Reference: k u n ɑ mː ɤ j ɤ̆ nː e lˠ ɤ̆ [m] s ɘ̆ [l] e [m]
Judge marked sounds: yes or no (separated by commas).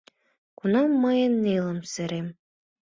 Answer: yes, no, yes